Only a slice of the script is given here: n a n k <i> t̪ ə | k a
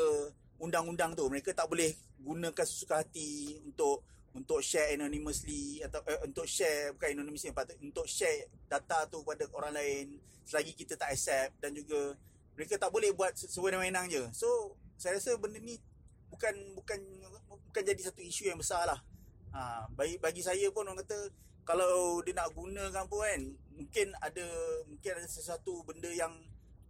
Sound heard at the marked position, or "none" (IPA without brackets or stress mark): a